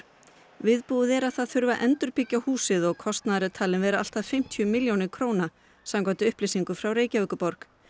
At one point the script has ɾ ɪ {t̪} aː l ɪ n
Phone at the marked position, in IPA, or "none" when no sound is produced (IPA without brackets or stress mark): t̪ʰ